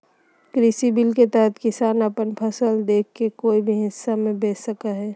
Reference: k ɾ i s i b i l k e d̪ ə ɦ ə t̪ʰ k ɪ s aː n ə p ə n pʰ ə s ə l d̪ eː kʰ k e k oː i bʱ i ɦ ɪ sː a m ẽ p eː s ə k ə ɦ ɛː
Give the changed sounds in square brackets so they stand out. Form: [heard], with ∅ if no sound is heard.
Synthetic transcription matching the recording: k ɾ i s i b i l k e [t̪] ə ɦ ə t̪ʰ k ɪ s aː n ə p ə n pʰ ə s ə l d̪ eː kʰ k e k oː i bʱ i ɦ ɪ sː a m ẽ [b] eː s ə k [a] ɦ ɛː